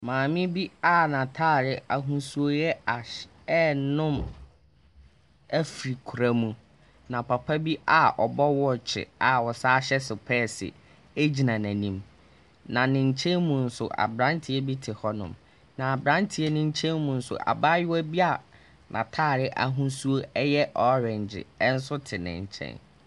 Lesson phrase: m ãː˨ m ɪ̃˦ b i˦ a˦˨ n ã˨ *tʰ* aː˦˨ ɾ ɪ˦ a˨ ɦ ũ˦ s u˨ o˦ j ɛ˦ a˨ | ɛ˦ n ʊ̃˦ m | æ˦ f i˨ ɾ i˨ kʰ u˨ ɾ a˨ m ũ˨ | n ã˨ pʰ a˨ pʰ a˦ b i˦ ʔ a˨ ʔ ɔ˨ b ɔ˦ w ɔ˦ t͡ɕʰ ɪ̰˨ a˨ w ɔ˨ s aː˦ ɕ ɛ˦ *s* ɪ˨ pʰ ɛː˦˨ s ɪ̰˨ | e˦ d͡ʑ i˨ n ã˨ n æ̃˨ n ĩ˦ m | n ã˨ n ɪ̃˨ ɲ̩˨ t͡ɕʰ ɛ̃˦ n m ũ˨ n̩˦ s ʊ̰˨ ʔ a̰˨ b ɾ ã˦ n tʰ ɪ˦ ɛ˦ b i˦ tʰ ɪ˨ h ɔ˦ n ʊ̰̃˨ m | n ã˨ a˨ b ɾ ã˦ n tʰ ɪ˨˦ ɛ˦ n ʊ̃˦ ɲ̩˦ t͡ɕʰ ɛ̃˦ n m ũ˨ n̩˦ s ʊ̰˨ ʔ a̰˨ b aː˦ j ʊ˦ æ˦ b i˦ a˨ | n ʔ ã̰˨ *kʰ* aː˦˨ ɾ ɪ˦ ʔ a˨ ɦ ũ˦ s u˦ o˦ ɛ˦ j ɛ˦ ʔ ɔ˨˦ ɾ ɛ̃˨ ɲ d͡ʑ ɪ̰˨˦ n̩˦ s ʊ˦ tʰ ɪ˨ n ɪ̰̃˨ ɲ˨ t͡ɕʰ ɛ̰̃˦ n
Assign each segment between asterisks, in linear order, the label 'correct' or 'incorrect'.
correct, correct, incorrect: tʰ

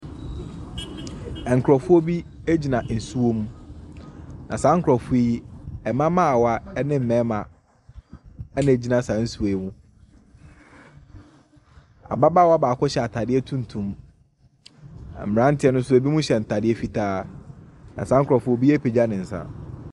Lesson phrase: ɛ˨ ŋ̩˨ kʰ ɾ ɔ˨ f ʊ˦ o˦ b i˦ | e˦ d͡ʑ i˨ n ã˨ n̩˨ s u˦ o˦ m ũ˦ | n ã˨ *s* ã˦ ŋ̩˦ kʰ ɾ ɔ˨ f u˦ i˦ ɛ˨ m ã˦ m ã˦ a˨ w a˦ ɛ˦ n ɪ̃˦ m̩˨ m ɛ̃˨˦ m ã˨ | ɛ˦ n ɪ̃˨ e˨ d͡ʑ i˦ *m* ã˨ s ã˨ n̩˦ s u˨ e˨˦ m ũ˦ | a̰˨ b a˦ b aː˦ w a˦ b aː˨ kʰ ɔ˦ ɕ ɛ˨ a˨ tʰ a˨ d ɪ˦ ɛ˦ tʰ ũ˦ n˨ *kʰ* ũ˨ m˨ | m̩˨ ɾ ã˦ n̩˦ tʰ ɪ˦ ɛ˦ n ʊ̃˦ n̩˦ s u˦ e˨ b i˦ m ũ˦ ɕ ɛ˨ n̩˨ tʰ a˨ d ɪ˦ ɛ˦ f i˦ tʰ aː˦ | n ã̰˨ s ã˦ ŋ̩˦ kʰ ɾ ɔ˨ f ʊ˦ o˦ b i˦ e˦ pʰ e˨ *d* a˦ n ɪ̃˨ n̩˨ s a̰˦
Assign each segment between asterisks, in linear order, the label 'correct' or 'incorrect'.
correct, incorrect: n, incorrect: tʰ, incorrect: d͡ʑ

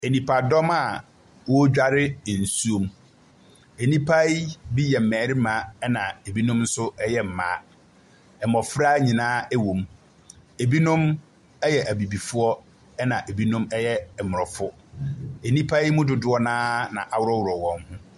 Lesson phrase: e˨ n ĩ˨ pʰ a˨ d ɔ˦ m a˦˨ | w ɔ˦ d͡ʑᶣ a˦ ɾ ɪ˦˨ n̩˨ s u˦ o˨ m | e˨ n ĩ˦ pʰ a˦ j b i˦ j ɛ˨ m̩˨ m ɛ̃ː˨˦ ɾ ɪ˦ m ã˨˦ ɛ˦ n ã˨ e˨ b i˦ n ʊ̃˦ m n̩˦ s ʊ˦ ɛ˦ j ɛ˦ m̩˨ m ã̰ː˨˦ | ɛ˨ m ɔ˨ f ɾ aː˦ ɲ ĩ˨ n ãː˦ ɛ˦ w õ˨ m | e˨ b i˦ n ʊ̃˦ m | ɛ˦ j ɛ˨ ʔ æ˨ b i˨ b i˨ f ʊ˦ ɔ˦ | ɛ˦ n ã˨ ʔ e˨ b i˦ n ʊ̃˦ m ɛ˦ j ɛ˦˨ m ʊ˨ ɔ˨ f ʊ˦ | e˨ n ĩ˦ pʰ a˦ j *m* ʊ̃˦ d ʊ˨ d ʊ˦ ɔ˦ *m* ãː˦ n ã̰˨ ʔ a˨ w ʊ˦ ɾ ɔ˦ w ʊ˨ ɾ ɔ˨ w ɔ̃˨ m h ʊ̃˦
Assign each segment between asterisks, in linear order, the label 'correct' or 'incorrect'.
correct, incorrect: n

